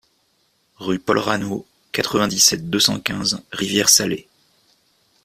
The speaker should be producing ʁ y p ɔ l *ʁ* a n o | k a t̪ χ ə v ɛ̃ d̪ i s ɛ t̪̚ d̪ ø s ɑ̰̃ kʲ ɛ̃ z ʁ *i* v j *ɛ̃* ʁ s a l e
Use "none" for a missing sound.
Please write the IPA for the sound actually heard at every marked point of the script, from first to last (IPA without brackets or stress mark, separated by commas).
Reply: ʁ, i, ɛ